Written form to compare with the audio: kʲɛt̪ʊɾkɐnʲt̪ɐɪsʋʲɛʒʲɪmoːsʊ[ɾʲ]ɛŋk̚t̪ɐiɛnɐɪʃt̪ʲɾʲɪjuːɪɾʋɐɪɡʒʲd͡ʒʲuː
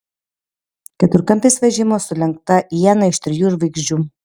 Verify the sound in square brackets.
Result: incorrect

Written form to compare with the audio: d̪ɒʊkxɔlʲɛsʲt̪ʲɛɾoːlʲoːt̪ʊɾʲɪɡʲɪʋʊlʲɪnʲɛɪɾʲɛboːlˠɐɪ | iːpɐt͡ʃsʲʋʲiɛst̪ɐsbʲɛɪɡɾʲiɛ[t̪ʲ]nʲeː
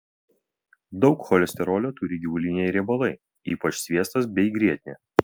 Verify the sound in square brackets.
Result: correct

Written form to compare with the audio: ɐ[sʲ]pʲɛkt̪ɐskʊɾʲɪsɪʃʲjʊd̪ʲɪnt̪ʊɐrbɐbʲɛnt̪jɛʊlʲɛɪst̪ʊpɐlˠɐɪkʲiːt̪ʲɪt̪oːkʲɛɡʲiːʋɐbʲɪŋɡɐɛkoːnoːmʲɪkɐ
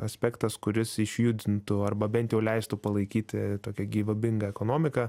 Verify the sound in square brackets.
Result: correct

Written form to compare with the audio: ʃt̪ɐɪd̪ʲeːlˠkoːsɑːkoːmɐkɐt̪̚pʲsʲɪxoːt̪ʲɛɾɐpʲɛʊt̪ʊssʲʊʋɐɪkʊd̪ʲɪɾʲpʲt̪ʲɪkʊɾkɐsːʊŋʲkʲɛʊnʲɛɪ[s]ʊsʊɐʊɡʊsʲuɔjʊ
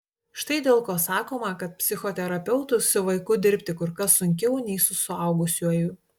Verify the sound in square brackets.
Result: correct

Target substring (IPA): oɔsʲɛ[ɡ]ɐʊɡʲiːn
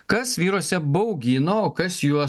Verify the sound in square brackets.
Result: incorrect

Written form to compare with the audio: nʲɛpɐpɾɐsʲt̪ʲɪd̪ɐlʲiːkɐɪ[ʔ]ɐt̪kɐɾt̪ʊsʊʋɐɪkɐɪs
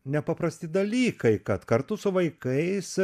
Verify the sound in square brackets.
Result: incorrect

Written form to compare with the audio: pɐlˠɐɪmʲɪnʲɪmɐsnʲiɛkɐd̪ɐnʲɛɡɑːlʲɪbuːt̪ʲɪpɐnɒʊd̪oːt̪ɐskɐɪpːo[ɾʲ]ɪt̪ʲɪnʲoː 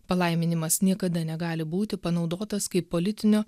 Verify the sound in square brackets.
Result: incorrect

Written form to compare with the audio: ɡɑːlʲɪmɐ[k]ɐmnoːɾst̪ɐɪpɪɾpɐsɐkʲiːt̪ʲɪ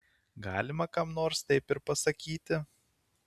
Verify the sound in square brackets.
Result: correct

